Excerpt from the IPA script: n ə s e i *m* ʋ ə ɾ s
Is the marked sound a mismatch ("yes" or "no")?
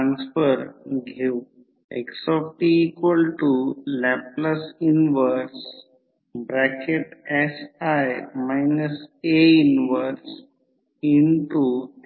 yes